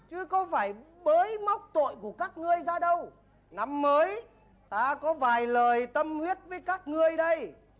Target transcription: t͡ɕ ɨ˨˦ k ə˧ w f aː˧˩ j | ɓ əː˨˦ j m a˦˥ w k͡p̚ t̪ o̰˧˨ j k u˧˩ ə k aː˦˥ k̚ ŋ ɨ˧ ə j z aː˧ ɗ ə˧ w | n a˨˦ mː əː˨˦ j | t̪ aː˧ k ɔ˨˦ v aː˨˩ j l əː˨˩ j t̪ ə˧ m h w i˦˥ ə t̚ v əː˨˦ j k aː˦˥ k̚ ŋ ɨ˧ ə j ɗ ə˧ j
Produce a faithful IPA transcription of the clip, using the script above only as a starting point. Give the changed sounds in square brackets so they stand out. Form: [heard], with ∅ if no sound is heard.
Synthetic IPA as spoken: t͡ɕ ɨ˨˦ k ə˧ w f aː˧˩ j | ɓ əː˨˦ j m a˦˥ w k͡p̚ t̪ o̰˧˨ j k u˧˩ ə k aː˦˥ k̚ ŋ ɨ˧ ə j z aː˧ ɗ ə˧ w | n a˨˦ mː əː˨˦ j | t̪ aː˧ k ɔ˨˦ v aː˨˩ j l əː˨˩ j t̪ ə˧ m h w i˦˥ ə t̚ v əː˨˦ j k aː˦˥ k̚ ŋ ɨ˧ ə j ɗ ə˧ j